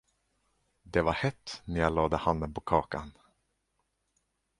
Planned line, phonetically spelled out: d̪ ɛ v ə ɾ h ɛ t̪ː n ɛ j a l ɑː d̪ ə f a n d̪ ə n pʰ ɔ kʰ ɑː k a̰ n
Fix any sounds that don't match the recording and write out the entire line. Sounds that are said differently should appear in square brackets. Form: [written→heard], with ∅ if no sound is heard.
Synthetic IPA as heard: d̪ ɛ v [ə→a] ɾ h ɛ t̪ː n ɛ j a l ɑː d̪ ə [f→h] a n d̪ ə n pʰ ɔ kʰ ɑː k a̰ n